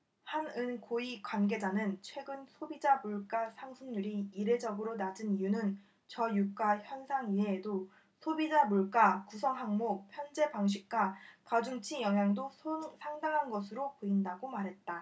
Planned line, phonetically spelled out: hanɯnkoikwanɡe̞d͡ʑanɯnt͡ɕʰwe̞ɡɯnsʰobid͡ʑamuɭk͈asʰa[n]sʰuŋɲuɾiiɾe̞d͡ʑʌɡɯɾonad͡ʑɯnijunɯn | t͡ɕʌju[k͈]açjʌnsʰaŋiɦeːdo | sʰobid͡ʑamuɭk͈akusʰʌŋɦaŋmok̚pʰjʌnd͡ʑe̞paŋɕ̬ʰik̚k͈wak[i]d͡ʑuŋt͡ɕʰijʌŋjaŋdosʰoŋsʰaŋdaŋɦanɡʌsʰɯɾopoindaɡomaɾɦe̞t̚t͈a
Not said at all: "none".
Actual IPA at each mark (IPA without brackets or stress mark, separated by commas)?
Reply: ŋ, k͈, a